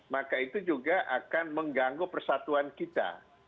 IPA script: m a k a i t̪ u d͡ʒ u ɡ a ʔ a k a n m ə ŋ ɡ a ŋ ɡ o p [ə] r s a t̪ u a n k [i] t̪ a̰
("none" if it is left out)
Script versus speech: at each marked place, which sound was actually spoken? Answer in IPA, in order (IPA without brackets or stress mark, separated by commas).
ə, i